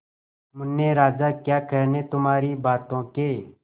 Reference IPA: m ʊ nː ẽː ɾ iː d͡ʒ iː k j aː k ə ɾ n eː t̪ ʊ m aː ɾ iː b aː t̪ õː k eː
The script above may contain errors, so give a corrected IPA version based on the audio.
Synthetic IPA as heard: m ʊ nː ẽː ɾ aː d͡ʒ aː k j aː k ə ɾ n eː t̪ ʊ m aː ɾ iː b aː t̪ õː k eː